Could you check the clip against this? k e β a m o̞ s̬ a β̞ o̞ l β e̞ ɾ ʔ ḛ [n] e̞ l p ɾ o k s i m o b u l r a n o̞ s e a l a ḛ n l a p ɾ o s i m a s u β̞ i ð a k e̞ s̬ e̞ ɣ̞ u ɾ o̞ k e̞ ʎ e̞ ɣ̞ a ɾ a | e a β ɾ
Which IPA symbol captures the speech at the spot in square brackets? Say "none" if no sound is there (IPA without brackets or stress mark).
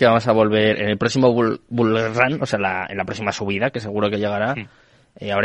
n